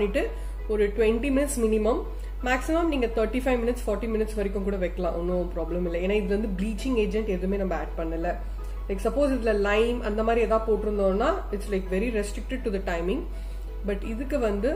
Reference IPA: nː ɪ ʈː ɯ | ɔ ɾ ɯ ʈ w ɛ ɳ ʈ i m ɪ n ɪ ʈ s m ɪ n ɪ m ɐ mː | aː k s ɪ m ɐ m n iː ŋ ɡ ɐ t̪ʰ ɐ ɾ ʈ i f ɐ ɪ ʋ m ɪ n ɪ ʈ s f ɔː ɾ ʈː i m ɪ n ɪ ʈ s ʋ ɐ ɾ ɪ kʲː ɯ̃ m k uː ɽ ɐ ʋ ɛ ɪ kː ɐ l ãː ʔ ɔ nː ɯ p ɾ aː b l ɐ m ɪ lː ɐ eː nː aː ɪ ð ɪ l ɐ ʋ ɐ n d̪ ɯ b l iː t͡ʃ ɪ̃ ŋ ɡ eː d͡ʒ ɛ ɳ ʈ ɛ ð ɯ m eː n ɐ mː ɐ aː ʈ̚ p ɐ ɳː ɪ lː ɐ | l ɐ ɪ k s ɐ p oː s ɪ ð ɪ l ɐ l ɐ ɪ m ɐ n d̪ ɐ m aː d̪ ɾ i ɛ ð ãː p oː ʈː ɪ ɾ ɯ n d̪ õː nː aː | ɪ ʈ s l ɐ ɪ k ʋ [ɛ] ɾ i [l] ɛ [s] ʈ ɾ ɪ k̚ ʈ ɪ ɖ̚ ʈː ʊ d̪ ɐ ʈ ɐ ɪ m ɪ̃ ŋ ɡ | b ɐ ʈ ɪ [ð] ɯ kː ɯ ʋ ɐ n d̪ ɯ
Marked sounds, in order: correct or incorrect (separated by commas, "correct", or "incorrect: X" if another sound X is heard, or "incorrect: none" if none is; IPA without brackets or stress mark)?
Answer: correct, incorrect: ɾ, correct, correct